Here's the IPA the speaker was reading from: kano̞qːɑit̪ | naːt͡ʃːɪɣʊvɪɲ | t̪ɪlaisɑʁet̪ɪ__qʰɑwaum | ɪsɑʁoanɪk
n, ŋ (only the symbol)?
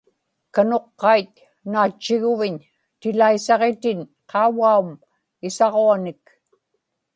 n